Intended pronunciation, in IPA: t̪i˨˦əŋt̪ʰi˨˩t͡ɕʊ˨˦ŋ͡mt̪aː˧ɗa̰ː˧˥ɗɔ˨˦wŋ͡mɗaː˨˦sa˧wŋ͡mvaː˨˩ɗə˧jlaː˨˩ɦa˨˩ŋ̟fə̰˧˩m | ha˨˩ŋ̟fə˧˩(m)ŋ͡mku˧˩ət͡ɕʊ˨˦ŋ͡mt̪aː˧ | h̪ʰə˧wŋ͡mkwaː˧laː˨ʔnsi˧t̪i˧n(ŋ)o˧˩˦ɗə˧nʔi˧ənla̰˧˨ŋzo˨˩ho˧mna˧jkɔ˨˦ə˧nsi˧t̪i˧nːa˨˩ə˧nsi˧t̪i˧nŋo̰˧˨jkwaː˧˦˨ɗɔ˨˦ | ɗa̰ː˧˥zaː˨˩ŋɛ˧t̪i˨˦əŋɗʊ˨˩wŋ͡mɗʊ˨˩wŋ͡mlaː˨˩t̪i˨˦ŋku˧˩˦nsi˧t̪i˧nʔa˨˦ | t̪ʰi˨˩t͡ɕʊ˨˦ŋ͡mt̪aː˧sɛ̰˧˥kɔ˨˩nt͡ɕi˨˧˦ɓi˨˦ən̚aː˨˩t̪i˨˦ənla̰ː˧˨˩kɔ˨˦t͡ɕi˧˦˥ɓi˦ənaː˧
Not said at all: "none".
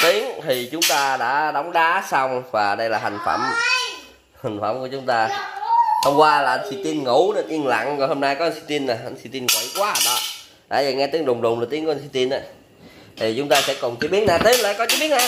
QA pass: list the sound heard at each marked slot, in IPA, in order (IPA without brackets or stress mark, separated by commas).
m, ŋ